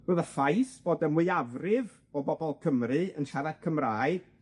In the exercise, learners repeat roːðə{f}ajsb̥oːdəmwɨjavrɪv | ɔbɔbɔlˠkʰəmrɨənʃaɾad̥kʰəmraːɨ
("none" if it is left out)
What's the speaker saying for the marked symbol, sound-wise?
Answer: f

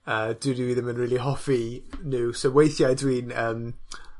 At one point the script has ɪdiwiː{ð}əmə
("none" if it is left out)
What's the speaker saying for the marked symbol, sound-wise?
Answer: ð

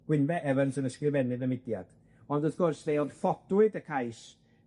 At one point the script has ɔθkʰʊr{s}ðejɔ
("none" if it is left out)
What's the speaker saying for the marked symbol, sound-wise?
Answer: s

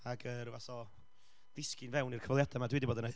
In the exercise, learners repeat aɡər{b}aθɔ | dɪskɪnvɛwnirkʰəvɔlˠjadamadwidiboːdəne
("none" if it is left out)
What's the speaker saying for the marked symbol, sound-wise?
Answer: v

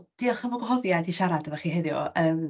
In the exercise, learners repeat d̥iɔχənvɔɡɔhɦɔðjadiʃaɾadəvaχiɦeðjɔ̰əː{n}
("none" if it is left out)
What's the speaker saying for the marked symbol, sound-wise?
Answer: m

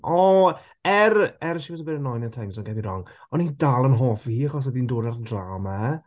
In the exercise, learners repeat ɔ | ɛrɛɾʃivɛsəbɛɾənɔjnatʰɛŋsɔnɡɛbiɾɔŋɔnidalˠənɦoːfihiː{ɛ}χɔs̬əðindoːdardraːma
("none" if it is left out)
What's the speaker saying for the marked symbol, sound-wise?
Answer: a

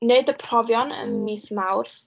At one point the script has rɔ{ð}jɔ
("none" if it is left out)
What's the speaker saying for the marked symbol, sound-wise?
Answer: v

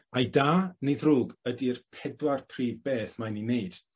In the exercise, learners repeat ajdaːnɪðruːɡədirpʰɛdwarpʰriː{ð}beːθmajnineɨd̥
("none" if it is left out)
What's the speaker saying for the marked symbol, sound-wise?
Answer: v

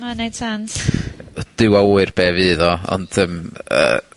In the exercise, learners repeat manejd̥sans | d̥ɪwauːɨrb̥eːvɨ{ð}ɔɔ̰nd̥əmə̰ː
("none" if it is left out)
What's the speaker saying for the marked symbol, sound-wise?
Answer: ð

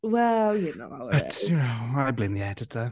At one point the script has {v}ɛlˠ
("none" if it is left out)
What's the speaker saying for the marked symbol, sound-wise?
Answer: w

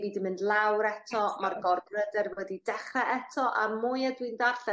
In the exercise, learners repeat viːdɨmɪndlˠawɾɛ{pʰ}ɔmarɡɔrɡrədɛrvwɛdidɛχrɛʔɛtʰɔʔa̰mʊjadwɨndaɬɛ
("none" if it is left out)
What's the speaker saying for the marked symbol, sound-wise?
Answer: tʰ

